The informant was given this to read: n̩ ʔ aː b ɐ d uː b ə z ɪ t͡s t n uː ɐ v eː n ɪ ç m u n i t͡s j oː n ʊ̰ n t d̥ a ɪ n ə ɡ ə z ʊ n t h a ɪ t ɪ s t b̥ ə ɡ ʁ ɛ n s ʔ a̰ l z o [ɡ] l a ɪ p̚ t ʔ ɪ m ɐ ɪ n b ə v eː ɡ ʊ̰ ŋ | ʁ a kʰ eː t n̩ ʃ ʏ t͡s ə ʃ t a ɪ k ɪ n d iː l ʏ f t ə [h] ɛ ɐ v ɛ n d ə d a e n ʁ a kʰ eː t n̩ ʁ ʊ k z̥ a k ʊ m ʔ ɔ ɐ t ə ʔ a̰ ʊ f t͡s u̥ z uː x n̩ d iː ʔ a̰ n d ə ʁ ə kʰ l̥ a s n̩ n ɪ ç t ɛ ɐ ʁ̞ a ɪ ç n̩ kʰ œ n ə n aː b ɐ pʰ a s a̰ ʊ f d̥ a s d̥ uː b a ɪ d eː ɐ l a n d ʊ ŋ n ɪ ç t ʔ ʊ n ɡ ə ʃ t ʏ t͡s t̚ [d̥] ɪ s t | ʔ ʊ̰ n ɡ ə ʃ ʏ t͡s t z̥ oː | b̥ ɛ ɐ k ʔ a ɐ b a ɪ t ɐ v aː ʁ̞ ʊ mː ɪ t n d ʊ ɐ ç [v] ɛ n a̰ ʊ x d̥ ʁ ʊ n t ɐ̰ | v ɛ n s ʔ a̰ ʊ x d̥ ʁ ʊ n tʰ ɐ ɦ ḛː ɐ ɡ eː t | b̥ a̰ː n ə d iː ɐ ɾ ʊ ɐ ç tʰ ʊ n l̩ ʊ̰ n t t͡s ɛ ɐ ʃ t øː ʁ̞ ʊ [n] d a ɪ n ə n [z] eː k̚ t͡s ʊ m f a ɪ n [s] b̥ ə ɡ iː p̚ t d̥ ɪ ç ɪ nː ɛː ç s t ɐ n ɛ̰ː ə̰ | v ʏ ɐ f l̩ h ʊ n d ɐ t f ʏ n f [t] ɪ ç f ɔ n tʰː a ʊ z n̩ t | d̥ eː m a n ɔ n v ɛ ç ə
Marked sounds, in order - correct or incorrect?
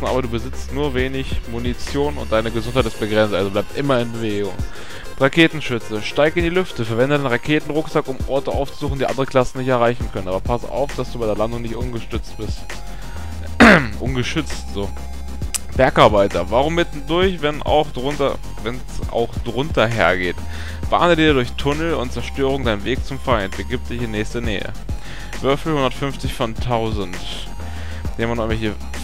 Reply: incorrect: b, incorrect: f, incorrect: b̥, correct, incorrect: ŋ, incorrect: v, incorrect: t, incorrect: t͡s

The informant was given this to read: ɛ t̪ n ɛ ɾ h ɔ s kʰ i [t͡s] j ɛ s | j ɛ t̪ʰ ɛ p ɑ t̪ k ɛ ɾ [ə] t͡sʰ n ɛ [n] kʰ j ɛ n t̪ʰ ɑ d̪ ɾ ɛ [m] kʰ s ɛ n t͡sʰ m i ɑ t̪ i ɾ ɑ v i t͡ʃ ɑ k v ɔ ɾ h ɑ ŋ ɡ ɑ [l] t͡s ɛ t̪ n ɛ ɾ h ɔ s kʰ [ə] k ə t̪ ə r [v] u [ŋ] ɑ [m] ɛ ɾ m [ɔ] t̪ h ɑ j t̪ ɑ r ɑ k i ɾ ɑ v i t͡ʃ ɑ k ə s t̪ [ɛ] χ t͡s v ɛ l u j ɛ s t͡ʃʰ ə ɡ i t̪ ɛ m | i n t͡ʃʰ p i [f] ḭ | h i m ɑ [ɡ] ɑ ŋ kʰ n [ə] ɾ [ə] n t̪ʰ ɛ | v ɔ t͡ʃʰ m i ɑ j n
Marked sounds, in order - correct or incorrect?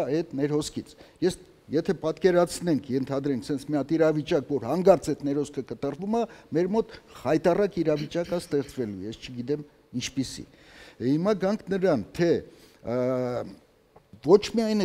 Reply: incorrect: t͡sʰ, incorrect: ɑ, incorrect: ŋ, incorrect: ŋ, incorrect: ɾ, correct, correct, incorrect: m, correct, correct, correct, incorrect: s, correct, correct, incorrect: ɑ

